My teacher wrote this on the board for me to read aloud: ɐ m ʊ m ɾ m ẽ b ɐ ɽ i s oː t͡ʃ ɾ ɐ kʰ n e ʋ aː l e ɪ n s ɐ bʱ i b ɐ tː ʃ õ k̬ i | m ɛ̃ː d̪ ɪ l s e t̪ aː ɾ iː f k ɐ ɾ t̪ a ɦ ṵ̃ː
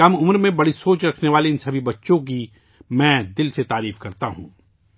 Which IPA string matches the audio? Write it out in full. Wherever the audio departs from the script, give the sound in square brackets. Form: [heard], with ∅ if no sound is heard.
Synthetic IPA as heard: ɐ m ʊ m ɾ m ẽ b ɐ ɽ i s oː t͡ʃ ɾ ɐ kʰ n e ʋ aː l e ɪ n s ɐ bʱ i b ɐ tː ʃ õ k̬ i | m ɛ̃ː d̪ ɪ l s e t̪ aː ɾ iː f k ɐ ɾ t̪ a ɦ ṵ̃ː